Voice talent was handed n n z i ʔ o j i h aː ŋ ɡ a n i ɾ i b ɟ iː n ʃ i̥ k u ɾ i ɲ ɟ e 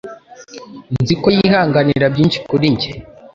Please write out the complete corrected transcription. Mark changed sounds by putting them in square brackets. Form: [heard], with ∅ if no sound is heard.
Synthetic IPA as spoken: n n z i [k] o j i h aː ŋ ɡ a n i ɾ [a] b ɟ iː n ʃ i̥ k u ɾ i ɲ ɟ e

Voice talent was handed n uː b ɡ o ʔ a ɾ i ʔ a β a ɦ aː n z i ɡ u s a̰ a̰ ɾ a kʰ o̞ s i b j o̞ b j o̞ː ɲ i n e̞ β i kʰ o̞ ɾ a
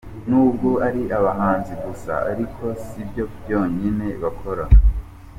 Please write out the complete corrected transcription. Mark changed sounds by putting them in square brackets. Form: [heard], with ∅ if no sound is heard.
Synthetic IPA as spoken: n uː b ɡ o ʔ a ɾ i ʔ a β a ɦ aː n z i ɡ u s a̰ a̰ ɾ [i] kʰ o̞ s i b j o̞ b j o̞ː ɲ i n e̞ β [a] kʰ o̞ ɾ a

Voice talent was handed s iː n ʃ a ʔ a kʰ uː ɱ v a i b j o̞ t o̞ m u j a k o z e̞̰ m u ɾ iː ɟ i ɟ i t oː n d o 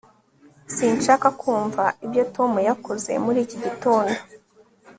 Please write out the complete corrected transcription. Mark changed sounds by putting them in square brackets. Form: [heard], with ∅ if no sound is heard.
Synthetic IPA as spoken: s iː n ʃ a [k] a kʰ uː ɱ v a i b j o̞ t o̞ m u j a k o z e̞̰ m u ɾ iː [c] i ɟ i t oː n d o

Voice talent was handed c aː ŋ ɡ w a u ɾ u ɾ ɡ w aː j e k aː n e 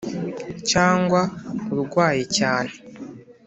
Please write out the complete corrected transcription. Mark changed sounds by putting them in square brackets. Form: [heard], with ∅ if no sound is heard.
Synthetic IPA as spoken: c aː ŋ ɡ w a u ɾ u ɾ ɡ w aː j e [c] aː n e

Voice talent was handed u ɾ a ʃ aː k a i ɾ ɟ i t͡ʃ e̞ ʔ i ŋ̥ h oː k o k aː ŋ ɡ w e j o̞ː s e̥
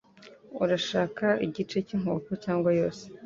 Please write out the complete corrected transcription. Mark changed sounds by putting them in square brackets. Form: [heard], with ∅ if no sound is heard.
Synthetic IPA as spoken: u ɾ a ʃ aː k a i [∅] ɟ i t͡ʃ e̞ [c] i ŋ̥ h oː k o [c] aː ŋ ɡ w [a] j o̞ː s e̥

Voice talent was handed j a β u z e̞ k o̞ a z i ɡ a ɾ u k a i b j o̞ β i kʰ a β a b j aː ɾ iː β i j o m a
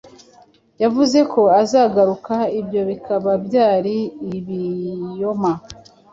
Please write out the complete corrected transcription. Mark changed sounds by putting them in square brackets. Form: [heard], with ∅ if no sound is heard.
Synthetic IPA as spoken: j a [v] u z e̞ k o̞ a z [a] ɡ a ɾ u k a i b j o̞ β i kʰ a β a b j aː ɾ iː β i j o m a

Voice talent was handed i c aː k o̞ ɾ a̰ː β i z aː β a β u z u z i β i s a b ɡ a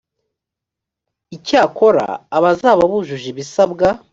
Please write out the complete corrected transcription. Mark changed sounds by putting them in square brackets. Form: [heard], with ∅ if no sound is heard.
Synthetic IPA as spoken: i c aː k o̞ ɾ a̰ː β [a] z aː β a β u [ʒ] u [ʒ] i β i s a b ɡ a

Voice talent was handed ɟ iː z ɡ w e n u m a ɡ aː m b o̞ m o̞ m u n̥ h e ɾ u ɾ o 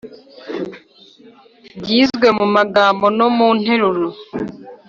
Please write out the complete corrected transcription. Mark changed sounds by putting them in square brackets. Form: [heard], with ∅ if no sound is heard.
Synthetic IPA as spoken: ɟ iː z ɡ w e [m] u m a ɡ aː m b o̞ [n] o̞ m u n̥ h e ɾ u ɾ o

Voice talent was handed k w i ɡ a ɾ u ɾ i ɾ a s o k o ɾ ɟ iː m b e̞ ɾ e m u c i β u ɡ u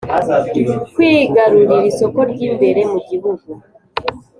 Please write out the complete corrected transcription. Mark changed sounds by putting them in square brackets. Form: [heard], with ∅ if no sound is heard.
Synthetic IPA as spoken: k w i ɡ a ɾ u ɾ i ɾ [i] s o k o ɾ ɟ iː m b e̞ ɾ e m u [ɟ] i β u ɡ u

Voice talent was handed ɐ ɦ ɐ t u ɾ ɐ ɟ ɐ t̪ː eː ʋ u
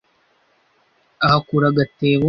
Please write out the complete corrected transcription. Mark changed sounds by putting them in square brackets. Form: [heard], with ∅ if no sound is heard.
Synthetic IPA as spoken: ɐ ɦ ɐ [k] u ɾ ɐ [ɡ] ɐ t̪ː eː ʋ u

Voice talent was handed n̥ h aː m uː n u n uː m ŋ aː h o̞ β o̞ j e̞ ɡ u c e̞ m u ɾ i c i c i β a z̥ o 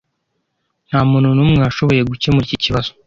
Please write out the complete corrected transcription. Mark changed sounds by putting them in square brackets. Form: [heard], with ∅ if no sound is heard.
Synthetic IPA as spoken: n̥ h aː m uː n u n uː m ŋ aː [ʃ] o̞ β o̞ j e̞ ɡ u c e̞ m u ɾ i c i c i β a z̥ o

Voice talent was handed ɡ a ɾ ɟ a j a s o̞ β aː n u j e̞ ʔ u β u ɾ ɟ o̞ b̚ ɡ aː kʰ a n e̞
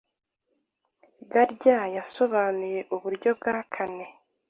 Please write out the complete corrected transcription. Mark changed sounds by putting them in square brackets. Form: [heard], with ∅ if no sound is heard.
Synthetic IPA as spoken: ɡ a ɾ ɟ a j a s o̞ β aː n u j e̞ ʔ u β u ɾ ɟ o̞ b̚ ɡ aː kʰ a n e̞

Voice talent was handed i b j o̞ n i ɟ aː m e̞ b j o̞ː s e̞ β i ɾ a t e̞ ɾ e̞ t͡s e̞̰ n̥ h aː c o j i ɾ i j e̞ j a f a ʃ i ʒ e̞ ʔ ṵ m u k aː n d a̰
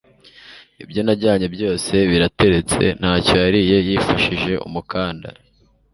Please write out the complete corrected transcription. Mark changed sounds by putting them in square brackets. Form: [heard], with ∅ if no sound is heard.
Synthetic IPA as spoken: i b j o̞ n [a] ɟ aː [ɲ] e̞ b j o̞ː s e̞ β i ɾ a t e̞ ɾ e̞ t͡s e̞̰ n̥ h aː c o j [a] ɾ i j e̞ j [i] f a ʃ i ʒ e̞ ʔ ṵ m u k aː n d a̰

